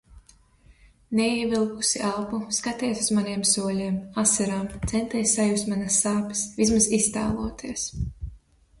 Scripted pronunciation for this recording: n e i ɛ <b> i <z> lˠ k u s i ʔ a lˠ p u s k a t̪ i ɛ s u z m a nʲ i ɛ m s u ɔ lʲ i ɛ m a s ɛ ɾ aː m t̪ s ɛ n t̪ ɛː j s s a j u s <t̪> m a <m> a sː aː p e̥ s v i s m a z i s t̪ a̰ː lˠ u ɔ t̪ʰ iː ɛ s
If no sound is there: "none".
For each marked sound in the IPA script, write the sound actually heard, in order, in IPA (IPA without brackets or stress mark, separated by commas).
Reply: v, none, t̪, n